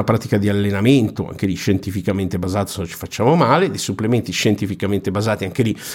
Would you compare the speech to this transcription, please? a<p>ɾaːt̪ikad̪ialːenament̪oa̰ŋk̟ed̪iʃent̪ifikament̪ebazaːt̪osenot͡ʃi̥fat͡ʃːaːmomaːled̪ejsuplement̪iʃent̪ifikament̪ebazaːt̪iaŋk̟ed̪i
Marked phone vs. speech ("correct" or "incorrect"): correct